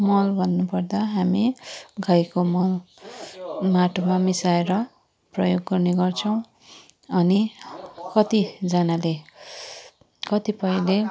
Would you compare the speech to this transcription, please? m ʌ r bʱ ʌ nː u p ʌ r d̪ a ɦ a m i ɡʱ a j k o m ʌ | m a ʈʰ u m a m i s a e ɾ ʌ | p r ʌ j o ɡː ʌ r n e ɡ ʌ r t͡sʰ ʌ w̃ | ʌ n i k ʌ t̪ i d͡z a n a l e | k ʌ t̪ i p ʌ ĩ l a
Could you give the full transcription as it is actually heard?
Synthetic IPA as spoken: m ʌ l bʱ ʌ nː u p ʌ r d̪ a ɦ a m i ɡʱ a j k o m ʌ | m a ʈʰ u m a m i s a e ɾ ʌ | p r ʌ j o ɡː ʌ r n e ɡ ʌ r t͡sʰ ʌ w̃ | ʌ n i k ʌ t̪ i d͡z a n a l e | k ʌ t̪ i p ʌ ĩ l e